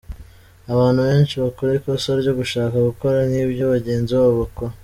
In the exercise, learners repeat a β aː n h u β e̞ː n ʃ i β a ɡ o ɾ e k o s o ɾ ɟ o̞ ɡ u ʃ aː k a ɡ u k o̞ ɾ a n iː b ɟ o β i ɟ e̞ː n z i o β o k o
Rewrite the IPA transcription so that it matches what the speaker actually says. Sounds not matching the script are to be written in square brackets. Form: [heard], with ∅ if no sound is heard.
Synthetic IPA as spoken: a β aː n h u β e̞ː n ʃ i β a [k] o ɾ e k o s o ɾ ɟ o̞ ɡ u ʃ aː k a ɡ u k o̞ ɾ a n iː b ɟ o β [a] ɟ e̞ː n z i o β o k o